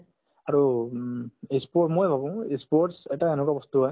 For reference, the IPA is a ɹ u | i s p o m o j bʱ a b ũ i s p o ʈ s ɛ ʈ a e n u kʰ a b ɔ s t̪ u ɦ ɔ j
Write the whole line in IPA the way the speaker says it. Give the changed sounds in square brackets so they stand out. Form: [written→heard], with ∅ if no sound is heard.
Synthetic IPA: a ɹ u | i s p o m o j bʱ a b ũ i s p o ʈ s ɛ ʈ a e n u [kʰ→k] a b ɔ s t̪ u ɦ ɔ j